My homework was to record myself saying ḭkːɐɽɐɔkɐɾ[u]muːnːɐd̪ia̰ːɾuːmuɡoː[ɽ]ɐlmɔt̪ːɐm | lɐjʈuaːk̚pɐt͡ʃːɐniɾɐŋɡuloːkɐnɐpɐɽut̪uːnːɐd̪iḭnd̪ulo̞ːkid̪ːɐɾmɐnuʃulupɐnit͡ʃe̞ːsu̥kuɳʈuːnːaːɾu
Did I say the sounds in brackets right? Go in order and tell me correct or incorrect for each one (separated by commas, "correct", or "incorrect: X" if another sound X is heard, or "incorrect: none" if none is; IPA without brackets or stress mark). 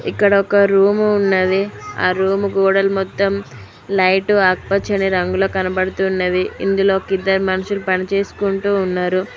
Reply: incorrect: uː, correct